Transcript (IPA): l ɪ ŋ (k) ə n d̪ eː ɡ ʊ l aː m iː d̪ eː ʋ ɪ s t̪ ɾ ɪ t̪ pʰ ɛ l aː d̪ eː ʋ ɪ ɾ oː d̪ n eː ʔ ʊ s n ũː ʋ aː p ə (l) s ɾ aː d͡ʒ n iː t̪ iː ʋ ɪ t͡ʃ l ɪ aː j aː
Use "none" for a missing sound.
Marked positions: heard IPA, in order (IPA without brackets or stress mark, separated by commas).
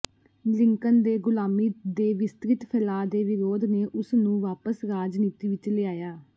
k, none